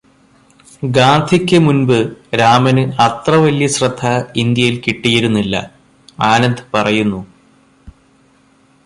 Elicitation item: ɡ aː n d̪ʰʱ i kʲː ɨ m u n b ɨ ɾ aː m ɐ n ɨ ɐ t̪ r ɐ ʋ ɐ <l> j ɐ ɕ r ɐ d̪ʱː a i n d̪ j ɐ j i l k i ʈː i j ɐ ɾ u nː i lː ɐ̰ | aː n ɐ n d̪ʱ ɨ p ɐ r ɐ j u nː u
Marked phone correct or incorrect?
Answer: correct